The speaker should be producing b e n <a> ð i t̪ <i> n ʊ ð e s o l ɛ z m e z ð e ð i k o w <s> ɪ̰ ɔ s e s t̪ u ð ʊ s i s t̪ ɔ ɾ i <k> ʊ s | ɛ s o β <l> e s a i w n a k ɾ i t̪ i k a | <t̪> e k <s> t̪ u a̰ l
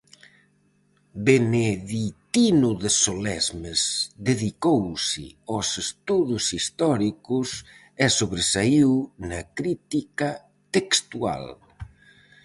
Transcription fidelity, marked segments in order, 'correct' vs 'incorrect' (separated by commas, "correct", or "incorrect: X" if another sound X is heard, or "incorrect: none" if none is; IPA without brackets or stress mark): incorrect: e, correct, correct, correct, incorrect: ɾ, correct, correct